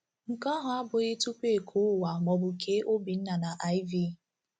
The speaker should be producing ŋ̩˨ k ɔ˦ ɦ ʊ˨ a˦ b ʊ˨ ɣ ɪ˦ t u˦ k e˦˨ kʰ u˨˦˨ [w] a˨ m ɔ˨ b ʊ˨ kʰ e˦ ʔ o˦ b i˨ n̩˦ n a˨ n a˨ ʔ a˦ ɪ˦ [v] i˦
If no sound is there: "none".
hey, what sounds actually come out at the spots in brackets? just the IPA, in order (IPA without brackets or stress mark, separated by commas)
w, v